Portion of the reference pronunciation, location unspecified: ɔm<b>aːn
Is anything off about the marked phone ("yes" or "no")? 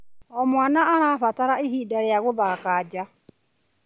yes